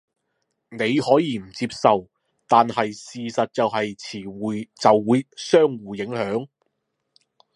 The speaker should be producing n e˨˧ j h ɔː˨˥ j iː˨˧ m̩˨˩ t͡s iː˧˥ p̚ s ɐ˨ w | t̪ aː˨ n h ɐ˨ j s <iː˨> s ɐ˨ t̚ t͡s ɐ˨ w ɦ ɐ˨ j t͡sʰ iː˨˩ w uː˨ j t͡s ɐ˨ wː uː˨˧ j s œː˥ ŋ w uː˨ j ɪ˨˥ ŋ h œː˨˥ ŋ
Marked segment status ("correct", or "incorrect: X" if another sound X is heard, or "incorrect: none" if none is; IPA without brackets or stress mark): correct